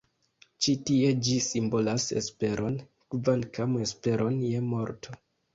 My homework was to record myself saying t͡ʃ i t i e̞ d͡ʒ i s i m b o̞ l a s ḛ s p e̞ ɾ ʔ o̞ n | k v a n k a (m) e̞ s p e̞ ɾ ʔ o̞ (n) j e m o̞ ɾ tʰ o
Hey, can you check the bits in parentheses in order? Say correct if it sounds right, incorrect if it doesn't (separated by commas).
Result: correct, correct